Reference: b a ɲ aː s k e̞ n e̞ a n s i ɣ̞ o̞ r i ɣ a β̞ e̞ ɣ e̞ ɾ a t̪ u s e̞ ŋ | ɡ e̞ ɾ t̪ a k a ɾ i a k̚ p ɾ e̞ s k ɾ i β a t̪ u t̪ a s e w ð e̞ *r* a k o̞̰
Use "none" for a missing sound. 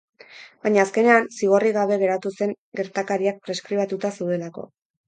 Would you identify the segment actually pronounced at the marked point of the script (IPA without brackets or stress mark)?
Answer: l